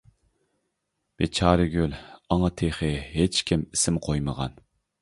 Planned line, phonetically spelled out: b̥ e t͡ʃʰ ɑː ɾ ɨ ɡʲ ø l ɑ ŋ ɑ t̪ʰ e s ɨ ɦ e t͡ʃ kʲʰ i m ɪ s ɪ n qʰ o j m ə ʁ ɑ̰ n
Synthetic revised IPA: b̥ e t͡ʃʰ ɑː ɾ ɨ ɡʲ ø l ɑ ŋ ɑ t̪ʰ e χ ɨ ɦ e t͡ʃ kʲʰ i m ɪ s ɪ m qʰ o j m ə ʁ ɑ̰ n